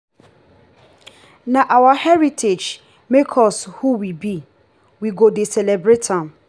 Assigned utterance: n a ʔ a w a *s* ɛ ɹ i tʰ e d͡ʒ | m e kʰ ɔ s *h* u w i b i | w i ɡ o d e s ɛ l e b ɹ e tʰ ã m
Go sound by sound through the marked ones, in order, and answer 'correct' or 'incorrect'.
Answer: incorrect: h, correct

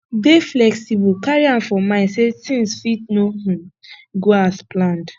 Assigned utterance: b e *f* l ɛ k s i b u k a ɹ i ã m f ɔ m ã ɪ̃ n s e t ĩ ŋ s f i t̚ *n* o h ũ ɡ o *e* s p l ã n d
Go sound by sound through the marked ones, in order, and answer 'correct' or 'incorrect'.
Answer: correct, correct, incorrect: a

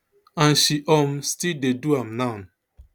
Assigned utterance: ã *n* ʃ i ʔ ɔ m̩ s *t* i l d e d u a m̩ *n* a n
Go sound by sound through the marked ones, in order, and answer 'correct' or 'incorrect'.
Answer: correct, correct, correct

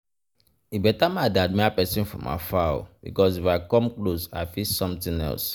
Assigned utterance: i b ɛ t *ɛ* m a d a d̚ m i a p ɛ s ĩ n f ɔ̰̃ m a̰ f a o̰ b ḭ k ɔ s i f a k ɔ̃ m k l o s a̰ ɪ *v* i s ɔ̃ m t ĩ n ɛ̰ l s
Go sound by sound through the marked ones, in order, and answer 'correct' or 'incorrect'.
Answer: incorrect: a, incorrect: f

